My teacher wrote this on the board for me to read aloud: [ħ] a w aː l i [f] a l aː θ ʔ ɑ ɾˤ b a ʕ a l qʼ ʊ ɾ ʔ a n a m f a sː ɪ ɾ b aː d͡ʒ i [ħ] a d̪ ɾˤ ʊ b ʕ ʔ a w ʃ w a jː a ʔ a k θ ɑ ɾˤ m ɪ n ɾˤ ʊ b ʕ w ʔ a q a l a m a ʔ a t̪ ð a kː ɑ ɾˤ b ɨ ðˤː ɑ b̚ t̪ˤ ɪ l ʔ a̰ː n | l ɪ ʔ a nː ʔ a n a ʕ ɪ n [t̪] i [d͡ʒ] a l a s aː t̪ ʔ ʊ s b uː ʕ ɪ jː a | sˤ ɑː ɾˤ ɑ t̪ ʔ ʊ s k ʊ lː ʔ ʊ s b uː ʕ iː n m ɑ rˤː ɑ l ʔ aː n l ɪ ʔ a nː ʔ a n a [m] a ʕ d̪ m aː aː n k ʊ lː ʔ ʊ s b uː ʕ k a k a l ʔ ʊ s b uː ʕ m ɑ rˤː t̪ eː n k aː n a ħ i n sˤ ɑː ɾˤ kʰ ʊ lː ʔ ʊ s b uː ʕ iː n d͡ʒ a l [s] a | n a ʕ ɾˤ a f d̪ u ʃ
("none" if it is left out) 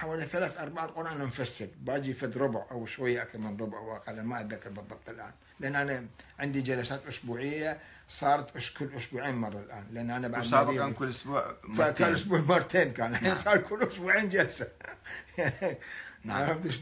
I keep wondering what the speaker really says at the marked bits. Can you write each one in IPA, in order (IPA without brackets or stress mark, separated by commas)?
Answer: ħ, θ, f, d̪, d͡ʒ, b, s